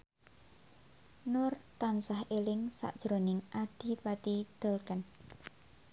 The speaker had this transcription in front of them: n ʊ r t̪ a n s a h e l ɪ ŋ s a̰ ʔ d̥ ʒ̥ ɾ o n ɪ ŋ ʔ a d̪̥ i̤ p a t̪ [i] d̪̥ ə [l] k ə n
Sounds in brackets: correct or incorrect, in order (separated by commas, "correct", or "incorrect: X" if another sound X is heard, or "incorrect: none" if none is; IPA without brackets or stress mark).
correct, correct